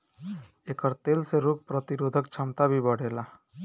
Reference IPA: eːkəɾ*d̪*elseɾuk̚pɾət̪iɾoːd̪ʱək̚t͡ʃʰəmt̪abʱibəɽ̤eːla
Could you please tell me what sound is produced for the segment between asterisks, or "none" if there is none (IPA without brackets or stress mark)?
t̪